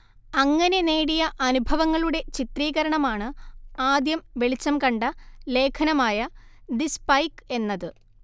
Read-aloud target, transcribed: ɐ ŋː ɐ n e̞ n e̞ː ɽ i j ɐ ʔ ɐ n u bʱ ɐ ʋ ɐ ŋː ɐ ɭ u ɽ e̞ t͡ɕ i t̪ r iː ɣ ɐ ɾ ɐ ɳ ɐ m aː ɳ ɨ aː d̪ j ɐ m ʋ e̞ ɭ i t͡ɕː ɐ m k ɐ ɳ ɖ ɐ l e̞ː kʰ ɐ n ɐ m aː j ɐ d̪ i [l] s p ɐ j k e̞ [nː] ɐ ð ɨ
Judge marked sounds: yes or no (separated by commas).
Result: no, yes